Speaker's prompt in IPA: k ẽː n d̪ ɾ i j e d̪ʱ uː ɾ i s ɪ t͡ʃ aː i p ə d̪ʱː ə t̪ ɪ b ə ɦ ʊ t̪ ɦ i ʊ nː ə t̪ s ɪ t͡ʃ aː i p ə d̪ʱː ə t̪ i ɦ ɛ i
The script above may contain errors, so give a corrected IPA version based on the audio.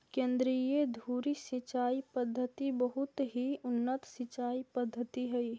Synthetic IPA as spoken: k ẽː n d̪ ɾ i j e d̪ʱ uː ɾ i s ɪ t͡ʃ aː i p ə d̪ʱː ə t̪ i b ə ɦ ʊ t̪ ɦ i ʊ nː ə t̪ s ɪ t͡ʃ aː i p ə d̪ʱː ə t̪ i ɦ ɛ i

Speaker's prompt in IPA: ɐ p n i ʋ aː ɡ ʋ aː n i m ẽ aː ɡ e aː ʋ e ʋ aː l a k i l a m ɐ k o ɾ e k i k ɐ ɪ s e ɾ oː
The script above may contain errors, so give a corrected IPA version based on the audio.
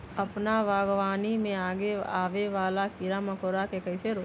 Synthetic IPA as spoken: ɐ p n a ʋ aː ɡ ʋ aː n i m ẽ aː ɡ e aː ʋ e ʋ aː l a k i ɾ a m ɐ k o ɾ a k e k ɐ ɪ s e ɾ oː

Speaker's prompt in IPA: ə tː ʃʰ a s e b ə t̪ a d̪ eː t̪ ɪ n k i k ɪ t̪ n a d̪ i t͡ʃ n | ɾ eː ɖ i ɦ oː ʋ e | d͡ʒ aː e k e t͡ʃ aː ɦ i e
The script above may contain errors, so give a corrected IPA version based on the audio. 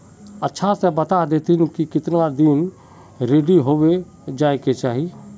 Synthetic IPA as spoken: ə tː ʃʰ a s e b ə t̪ a d̪ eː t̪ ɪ n k i k ɪ t̪ n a d̪ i n | ɾ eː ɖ i ɦ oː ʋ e | d͡ʒ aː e k e t͡ʃ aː ɦ i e

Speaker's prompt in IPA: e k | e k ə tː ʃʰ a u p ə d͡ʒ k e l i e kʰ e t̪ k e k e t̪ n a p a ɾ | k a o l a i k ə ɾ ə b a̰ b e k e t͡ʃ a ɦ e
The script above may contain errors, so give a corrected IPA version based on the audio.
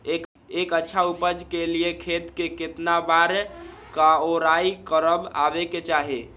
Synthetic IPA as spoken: e k | e k ə tː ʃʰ a u p ə d͡ʒ k e l i e kʰ e t̪ k e k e t̪ n a b a ɾ | k a o ɾ a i k ə ɾ ə b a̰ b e k e t͡ʃ a ɦ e

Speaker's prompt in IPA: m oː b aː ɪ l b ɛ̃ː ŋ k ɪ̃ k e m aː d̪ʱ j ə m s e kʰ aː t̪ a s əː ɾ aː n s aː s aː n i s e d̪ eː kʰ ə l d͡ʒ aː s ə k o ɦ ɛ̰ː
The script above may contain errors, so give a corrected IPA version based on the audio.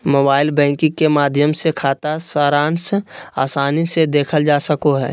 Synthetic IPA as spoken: m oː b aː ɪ l b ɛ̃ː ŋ k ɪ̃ k e m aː d̪ʱ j ə m s e kʰ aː t̪ a s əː ɾ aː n s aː s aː n i s e d̪ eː kʰ ə l d͡ʒ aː s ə k o ɦ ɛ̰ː

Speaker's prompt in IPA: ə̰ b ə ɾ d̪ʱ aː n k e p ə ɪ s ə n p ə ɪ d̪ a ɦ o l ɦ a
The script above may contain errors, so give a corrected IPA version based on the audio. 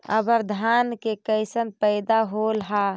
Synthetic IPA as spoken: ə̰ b ə ɾ d̪ʱ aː n k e k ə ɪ s ə n p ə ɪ d̪ a ɦ o l ɦ a

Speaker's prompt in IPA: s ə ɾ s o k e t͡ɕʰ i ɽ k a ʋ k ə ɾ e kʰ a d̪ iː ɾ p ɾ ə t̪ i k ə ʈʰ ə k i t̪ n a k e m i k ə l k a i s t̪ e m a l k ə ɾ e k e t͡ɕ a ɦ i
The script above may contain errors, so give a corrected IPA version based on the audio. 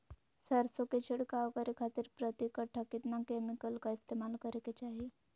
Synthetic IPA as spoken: s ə ɾ s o k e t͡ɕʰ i ɽ k a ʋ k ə ɾ i kʰ a t̪ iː ɾ p ɾ ə t̪ i k ə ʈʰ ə k i t̪ n a k e m i k ə l k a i s t̪ e m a l k ə ɾ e k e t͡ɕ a ɦ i

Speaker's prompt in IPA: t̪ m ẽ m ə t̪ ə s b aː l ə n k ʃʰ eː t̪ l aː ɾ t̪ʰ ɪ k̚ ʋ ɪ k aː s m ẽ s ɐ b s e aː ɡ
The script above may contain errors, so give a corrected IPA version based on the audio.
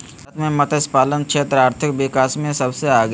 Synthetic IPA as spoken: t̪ m ẽ m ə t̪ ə s p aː l ə n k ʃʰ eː t̪ ɾ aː ɾ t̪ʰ ɪ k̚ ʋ ɪ k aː s m ẽ s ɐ b s e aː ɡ

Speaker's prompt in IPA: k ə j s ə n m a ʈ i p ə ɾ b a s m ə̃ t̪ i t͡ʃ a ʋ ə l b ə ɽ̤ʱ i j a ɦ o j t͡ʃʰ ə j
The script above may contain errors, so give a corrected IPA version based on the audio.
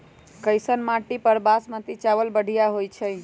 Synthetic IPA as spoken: k ə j s ə n m a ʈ i p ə ɾ b a s m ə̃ t̪ i t͡ʃ a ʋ ə l b ə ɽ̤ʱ i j a ɦ o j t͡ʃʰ ə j

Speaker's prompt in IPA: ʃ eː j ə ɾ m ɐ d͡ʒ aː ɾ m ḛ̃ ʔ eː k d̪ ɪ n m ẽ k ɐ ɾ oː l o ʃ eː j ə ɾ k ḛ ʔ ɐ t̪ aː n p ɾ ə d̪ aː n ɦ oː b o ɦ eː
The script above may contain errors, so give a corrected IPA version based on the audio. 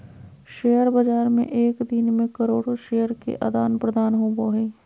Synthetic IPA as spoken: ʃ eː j ə ɾ b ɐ d͡ʒ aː ɾ m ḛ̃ ʔ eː k d̪ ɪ n m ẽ k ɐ ɾ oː ɽ o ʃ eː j ə ɾ k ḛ ʔ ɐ d̪ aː n p ɾ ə d̪ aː n ɦ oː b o ɦ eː

